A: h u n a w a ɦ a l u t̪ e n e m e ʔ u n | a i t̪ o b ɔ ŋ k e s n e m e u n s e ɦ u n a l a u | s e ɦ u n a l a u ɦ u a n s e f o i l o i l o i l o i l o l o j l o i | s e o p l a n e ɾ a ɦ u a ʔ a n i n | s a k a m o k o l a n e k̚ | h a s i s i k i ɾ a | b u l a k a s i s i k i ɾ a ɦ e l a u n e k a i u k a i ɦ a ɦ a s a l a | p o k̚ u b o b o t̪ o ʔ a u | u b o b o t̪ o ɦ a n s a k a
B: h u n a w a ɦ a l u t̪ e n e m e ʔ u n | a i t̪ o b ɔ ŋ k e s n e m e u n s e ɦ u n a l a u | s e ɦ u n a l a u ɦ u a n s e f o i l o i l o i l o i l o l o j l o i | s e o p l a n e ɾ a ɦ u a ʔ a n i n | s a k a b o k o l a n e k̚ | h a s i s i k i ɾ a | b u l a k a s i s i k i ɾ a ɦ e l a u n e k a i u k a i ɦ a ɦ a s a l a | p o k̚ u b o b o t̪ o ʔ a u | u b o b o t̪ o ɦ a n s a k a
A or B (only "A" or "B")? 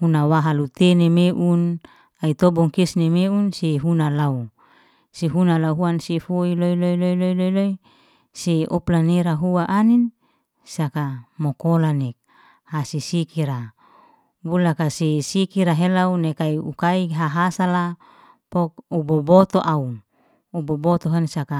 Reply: A